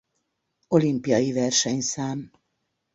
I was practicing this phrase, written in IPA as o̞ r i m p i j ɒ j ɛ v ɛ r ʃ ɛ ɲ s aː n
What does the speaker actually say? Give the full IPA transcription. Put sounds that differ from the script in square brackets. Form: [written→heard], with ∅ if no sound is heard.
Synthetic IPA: o̞ [r→l] i m p i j ɒ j [ɛ→i] v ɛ r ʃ ɛ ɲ s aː [n→m]